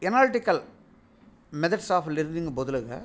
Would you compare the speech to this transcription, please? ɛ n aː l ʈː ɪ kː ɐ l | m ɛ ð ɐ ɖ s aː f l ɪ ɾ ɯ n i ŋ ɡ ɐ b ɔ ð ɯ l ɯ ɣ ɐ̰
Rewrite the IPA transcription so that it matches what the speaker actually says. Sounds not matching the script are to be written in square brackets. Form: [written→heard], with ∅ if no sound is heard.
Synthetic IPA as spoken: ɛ n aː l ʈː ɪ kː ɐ l | m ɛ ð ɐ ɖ s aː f l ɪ ɾ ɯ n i ŋ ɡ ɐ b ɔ ð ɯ l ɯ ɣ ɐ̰